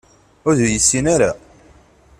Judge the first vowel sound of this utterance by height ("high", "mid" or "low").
high